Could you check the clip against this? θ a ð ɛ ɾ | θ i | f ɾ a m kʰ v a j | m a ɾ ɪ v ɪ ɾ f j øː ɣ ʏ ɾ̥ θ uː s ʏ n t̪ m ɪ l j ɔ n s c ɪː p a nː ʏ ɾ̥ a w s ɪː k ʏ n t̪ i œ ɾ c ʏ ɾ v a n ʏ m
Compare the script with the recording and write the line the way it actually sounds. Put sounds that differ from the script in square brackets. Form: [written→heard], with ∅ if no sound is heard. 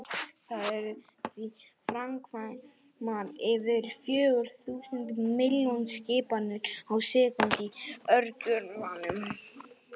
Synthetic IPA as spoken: θ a ð ɛ ɾ | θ i | f ɾ a m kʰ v a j | m a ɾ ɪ v ɪ ɾ f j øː ɣ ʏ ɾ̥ θ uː s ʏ n t̪ m ɪ l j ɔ n s c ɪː p a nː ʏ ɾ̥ a w s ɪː k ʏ n t̪ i œ ɾ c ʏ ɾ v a n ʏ m